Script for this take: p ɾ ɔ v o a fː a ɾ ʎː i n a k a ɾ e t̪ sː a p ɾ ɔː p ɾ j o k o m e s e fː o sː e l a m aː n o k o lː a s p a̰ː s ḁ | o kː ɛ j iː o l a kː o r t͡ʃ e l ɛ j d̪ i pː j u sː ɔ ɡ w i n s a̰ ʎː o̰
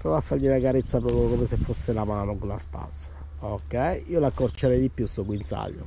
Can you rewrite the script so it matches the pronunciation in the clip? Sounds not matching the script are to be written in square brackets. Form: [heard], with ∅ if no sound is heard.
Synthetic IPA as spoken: p ɾ ɔ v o a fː a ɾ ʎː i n a k a ɾ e t̪ sː a p ɾ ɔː p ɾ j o k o m e s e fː o sː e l a m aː n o k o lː a s p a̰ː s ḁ | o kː ɛ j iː o l a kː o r t͡ʃ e [ɾ] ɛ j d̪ i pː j u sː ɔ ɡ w i n s a̰ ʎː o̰